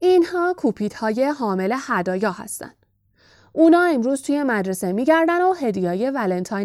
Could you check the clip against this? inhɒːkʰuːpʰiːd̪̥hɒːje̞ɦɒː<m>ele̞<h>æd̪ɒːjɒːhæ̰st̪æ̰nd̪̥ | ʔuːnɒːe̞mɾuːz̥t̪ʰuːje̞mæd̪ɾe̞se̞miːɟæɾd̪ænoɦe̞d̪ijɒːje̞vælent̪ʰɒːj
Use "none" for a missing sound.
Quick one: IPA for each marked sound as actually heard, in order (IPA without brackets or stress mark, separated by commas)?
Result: m, h